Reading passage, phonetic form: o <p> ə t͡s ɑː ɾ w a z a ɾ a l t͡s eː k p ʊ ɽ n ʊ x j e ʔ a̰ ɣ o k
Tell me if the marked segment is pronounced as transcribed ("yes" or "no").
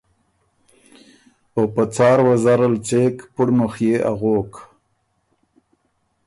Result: yes